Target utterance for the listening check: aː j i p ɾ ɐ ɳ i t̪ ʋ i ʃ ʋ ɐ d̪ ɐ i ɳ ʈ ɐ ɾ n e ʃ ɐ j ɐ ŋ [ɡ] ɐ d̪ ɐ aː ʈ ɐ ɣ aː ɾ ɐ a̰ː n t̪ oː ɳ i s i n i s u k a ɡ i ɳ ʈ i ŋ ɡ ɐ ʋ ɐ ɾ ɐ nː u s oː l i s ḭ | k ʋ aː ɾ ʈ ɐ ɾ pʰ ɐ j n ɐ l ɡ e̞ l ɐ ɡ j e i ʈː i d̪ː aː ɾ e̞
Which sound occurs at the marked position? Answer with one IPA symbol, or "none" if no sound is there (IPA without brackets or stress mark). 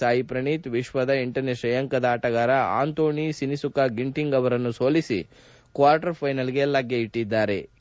k